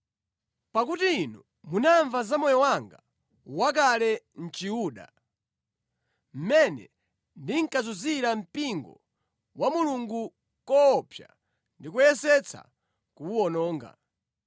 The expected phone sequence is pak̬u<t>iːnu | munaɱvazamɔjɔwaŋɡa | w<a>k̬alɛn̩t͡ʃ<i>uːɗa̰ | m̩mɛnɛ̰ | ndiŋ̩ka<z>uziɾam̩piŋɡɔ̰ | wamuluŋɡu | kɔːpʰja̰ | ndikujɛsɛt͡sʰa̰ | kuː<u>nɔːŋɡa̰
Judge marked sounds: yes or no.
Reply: yes, yes, yes, yes, no

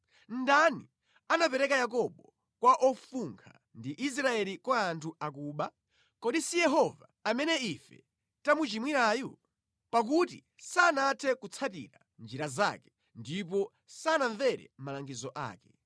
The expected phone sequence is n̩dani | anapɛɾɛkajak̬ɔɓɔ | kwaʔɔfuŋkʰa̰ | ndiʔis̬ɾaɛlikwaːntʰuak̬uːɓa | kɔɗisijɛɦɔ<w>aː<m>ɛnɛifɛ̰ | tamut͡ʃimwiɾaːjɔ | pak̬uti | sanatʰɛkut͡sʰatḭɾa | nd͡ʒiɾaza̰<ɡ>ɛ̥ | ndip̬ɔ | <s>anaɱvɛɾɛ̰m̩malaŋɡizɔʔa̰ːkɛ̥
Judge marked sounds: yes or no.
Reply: no, yes, no, yes

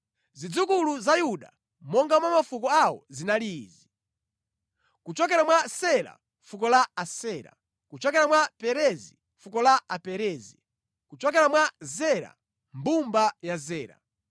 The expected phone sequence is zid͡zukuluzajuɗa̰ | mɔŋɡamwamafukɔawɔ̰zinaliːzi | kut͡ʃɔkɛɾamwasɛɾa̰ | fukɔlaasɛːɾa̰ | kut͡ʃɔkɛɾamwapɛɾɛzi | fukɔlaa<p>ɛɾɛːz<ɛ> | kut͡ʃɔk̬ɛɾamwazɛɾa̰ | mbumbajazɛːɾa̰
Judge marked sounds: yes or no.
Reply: yes, no

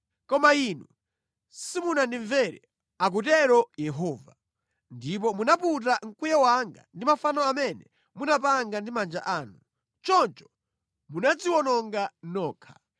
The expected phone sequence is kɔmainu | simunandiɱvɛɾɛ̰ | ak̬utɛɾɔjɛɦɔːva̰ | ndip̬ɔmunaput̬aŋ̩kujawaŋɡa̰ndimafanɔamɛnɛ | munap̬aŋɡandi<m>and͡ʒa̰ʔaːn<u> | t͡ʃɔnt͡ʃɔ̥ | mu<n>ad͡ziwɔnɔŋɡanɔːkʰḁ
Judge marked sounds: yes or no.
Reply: yes, yes, yes

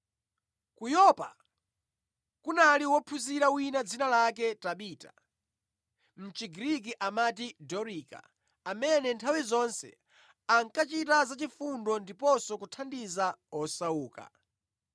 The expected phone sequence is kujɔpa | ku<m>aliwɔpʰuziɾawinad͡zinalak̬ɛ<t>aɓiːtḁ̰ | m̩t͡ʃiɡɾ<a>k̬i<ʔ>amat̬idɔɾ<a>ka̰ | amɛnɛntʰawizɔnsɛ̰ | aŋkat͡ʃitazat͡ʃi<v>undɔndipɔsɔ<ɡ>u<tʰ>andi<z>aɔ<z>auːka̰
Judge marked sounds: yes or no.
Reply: no, yes, no, yes, no, no, no, yes, yes, no

